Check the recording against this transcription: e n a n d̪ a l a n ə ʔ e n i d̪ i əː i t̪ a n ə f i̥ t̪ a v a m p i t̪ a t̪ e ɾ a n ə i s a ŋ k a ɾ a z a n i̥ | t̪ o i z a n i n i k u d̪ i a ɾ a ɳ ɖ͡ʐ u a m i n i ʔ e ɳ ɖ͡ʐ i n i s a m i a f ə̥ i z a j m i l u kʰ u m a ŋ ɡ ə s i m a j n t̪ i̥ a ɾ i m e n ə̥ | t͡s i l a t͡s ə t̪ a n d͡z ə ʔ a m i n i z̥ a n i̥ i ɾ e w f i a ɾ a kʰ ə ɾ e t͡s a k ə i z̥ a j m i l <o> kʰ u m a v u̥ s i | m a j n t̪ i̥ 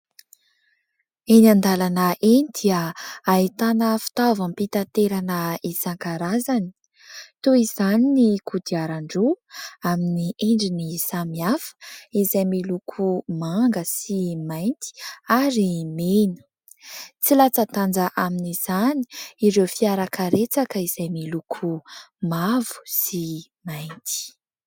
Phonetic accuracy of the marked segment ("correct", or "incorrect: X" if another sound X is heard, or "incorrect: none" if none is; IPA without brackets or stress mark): incorrect: u